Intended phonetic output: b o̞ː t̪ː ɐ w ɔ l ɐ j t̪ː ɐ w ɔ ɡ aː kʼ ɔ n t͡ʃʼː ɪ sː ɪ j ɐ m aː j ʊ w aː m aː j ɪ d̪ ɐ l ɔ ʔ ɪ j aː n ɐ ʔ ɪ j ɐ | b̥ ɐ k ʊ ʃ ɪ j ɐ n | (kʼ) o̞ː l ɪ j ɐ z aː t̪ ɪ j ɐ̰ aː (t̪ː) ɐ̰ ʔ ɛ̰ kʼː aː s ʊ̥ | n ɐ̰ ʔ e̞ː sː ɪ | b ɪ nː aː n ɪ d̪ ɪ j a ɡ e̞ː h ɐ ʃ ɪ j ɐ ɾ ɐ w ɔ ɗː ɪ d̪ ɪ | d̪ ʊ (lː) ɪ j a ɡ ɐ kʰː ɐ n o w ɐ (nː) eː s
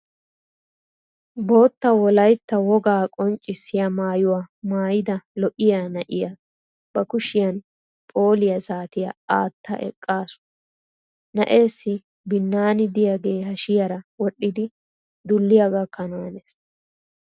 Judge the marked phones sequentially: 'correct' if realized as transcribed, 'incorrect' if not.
incorrect: pʼ, correct, correct, incorrect: n

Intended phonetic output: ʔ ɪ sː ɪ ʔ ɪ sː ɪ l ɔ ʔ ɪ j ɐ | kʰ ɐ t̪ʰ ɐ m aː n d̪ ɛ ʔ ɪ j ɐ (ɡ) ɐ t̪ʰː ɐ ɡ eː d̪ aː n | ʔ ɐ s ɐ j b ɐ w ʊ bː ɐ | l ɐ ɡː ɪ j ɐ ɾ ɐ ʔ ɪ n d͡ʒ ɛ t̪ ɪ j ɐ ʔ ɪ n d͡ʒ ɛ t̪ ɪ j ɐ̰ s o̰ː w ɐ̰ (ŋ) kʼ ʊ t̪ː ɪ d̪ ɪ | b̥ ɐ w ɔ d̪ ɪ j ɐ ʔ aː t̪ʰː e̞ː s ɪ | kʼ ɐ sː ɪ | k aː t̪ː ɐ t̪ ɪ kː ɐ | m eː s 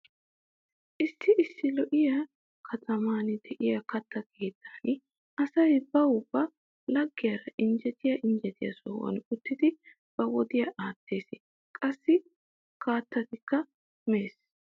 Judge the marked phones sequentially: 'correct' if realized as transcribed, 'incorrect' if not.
incorrect: k, incorrect: n

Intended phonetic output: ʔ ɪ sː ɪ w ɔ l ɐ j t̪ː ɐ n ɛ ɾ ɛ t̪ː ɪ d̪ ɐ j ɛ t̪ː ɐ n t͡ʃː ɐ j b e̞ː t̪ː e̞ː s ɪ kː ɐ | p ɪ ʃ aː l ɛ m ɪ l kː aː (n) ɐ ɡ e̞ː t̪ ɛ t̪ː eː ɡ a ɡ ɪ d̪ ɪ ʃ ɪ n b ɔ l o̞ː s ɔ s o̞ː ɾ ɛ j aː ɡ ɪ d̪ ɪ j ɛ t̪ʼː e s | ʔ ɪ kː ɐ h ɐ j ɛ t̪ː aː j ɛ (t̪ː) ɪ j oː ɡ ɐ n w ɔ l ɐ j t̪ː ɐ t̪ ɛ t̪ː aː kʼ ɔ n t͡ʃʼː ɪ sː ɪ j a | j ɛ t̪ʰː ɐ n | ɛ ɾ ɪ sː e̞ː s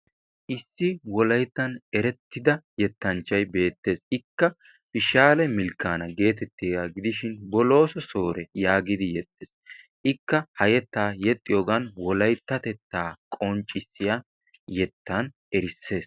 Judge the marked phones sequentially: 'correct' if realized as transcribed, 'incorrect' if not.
correct, incorrect: t̪ʼː

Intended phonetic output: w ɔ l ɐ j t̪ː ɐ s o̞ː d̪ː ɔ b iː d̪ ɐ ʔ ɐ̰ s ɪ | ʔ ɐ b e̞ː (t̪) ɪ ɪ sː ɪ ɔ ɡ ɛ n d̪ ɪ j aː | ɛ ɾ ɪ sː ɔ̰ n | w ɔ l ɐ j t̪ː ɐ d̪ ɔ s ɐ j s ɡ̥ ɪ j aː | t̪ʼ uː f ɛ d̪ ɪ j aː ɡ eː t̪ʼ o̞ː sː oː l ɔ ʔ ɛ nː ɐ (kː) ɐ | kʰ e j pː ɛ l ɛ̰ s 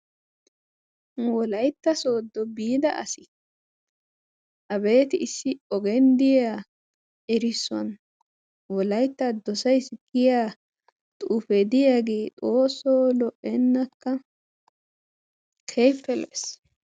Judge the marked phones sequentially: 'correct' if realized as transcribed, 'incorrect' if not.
correct, correct

